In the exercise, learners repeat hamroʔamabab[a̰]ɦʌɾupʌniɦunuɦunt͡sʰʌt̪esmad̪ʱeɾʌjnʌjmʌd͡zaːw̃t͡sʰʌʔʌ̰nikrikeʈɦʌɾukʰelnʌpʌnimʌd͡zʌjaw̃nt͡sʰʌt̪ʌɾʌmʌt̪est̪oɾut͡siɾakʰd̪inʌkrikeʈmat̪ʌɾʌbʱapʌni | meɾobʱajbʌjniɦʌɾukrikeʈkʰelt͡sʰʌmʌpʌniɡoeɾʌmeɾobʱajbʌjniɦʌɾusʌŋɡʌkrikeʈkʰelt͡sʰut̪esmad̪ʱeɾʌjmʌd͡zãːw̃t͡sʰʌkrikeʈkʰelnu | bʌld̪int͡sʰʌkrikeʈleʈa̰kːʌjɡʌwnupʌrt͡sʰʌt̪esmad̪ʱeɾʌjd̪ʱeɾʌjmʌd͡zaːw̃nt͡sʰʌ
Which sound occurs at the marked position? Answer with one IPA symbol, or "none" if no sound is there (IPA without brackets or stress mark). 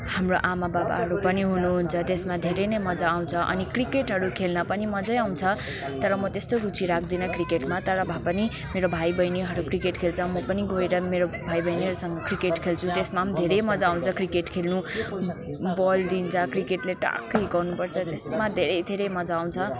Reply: a̰